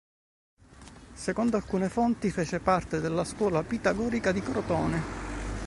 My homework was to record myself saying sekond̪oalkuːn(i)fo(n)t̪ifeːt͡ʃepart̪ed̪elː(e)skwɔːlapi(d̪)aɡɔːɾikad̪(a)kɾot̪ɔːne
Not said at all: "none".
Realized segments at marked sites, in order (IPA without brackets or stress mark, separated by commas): e, n, a, t̪, i